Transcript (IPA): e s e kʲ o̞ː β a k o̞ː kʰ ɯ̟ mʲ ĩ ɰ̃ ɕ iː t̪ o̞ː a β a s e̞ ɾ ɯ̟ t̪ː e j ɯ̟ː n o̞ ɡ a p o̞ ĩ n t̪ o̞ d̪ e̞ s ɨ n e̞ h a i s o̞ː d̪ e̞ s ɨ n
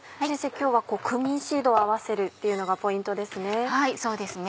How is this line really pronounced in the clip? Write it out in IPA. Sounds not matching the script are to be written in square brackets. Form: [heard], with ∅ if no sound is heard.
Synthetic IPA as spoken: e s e kʲ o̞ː β a k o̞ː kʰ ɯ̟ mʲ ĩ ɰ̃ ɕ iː [d̪] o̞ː a β a s e̞ ɾ ɯ̟ t̪ː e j [ɯ̟] n o̞ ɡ a p o̞ ĩ n t̪ o̞ d̪ e̞ s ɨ n e̞ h a i s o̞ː d̪ e̞ s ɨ n